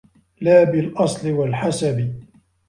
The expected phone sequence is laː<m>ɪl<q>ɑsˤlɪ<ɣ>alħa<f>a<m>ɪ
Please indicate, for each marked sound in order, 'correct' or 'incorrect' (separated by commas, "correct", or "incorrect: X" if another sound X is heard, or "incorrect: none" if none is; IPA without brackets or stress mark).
incorrect: b, incorrect: ʔ, incorrect: w, incorrect: s, incorrect: b